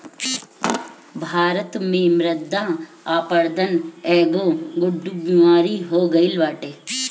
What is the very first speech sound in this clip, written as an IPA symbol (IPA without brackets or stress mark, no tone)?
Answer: bʱ